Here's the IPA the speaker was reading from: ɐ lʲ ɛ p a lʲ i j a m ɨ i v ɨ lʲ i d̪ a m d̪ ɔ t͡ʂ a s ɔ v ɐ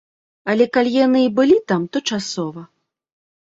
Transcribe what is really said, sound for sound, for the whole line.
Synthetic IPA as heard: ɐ lʲ ɛ k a lʲ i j a n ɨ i b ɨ lʲ i t̪ a m t̪ ɔ t͡ʂ a s ɔ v ɐ